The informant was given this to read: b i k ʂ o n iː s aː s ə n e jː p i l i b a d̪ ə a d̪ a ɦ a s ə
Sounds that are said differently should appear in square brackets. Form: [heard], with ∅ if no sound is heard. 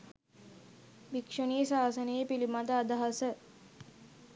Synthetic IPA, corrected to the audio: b i k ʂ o n iː s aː s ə n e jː p i l i [m] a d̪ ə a d̪ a ɦ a s ə